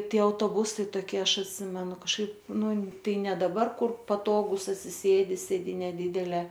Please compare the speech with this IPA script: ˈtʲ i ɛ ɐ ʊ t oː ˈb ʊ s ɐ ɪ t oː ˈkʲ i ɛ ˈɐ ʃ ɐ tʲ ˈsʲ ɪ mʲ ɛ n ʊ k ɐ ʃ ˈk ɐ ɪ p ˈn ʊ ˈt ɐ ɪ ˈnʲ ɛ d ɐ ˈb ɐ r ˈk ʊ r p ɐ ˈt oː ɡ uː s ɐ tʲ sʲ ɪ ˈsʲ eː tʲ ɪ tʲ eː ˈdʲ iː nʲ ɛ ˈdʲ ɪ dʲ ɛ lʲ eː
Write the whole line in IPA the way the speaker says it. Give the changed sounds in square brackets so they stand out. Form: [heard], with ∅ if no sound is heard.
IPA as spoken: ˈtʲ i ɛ ɐ ʊ t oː ˈb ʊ s ɐ ɪ t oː ˈkʲ i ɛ ˈɐ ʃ ɐ tʲ ˈsʲ ɪ mʲ ɛ n ʊ k ɐ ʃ ˈk ɐ ɪ p ˈn ʊ ˈt ɐ ɪ ˈnʲ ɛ d ɐ ˈb ɐ r ˈk ʊ r p ɐ ˈt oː ɡ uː s ɐ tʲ sʲ ɪ ˈsʲ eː [dʲ] ɪ [sʲ] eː ˈdʲ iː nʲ ɛ ˈdʲ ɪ dʲ ɛ lʲ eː